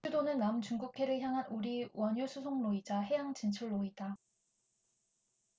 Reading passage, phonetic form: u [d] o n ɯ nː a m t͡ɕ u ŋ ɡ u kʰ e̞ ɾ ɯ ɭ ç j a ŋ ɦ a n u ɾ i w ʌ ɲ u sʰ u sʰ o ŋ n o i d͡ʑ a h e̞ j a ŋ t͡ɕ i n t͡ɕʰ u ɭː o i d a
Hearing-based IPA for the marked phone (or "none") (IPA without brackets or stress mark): d